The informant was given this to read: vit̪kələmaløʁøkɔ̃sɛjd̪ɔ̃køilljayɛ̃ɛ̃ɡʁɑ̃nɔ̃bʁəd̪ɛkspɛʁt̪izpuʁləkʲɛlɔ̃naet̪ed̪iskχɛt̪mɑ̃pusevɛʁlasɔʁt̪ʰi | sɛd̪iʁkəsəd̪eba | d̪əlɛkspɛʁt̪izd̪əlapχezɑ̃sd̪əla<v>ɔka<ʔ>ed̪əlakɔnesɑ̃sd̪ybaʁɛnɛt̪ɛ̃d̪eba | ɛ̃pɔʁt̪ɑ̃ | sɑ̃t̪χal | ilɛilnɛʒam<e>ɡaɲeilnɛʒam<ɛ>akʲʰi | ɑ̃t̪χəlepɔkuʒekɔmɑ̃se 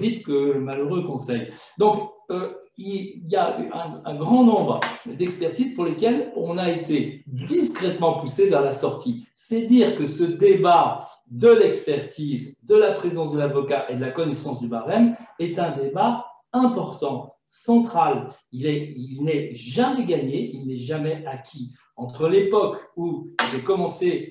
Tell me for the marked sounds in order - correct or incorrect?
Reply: correct, correct, incorrect, correct

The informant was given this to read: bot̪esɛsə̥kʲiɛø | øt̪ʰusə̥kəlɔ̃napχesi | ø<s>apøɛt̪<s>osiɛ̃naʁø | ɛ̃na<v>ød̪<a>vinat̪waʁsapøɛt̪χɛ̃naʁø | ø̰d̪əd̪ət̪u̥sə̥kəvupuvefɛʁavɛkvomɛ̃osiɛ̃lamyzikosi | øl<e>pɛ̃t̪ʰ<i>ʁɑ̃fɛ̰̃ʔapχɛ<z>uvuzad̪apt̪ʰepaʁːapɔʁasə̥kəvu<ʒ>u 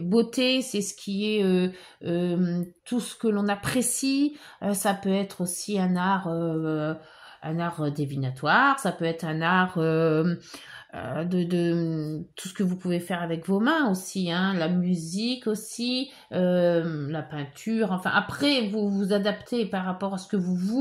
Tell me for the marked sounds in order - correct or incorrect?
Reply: correct, incorrect, incorrect, incorrect, incorrect, incorrect, incorrect, incorrect

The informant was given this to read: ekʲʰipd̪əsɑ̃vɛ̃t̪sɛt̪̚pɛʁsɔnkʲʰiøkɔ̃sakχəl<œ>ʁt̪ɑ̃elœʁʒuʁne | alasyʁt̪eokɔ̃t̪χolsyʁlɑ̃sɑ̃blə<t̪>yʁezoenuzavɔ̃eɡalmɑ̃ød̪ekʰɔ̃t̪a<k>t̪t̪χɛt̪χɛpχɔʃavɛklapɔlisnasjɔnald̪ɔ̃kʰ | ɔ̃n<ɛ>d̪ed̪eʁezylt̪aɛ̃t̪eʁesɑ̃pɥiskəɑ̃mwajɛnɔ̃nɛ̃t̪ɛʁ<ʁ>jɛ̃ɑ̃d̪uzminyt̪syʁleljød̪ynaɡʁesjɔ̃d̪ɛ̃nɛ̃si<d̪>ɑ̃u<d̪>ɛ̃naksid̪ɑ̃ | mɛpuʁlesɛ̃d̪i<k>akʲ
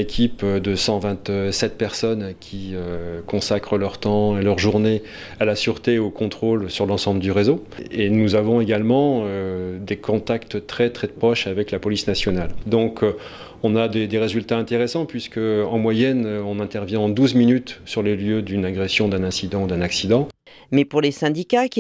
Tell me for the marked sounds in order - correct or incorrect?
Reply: correct, incorrect, correct, incorrect, incorrect, correct, correct, correct

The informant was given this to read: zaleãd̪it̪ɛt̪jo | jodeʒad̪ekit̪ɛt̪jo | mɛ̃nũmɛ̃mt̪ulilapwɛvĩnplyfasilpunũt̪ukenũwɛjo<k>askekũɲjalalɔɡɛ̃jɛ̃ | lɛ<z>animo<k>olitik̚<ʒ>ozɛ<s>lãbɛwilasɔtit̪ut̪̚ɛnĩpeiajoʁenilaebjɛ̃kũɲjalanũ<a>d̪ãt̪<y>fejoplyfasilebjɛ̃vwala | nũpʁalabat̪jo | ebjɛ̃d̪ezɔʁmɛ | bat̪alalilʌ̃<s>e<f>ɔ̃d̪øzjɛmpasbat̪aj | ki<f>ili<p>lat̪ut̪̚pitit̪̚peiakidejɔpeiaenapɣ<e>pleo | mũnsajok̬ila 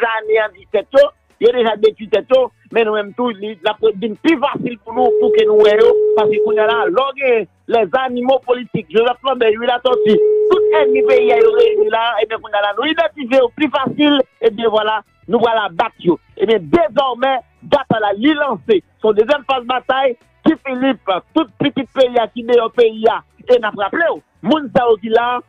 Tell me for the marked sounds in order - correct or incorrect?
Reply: incorrect, correct, incorrect, correct, incorrect, incorrect, incorrect, correct, incorrect, correct, correct, incorrect

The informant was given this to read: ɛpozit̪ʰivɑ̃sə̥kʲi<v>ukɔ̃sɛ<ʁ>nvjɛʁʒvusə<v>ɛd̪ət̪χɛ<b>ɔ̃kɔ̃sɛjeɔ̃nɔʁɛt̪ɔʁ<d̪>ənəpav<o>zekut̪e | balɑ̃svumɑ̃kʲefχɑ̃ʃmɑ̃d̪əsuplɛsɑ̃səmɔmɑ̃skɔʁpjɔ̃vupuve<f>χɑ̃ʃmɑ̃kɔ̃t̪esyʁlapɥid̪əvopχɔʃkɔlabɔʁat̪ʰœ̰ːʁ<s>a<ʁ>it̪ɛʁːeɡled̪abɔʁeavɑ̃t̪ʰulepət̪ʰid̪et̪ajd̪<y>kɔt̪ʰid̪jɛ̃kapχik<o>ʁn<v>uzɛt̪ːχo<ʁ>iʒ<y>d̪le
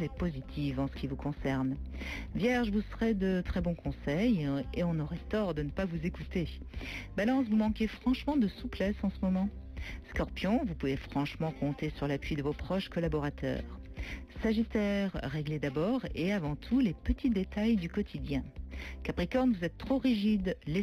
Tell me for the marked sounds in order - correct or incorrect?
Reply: correct, correct, incorrect, correct, correct, incorrect, correct, correct, incorrect, correct, incorrect, correct, correct, incorrect

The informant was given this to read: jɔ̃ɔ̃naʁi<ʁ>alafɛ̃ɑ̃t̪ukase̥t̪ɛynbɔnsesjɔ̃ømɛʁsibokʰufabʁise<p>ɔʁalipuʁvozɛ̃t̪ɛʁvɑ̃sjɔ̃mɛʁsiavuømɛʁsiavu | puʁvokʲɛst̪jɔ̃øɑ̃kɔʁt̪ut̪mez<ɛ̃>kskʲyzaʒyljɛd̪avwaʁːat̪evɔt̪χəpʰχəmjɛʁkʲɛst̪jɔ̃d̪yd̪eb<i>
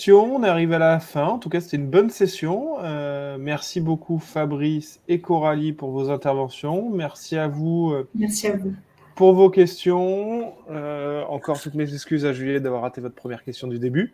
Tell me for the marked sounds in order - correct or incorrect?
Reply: incorrect, incorrect, incorrect, incorrect

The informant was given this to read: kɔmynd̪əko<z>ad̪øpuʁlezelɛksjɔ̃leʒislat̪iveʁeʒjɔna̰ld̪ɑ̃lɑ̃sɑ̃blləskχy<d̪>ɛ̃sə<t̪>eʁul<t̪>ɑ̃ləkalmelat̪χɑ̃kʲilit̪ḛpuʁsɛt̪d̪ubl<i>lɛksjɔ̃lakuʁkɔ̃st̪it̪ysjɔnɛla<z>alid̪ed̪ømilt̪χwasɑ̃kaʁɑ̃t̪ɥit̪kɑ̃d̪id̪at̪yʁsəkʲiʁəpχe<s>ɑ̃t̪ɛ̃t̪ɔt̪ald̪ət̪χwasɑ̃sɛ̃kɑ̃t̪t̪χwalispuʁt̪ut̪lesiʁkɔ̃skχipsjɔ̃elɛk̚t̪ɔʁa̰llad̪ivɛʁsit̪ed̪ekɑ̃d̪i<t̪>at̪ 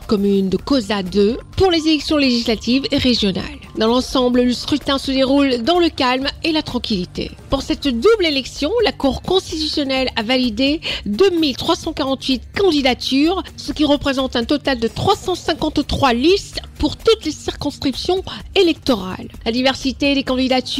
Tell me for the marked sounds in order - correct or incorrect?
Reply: correct, incorrect, incorrect, incorrect, incorrect, incorrect, incorrect, incorrect

